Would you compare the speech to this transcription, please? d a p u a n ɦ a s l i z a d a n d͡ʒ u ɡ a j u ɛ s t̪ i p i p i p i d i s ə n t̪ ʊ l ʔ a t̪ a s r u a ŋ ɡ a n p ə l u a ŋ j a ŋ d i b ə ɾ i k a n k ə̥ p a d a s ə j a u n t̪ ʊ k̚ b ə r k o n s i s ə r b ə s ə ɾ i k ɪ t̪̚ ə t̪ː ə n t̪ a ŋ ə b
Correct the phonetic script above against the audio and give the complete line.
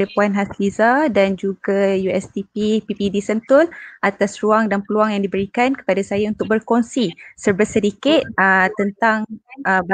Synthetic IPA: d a p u a n ɦ a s l i z a d a n d͡ʒ u ɡ a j u ɛ s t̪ i p i p i p i d i s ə n t̪ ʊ l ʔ a t̪ a s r u a ŋ d a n p ə l u a ŋ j a ŋ d i b ə ɾ i k a n k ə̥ p a d a s a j a u n t̪ ʊ k̚ b ə r k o n s i s ə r b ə s ə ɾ i k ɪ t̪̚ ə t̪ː ə n t̪ a ŋ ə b